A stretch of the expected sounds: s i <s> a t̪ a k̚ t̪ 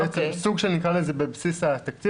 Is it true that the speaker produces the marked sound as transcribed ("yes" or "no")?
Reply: yes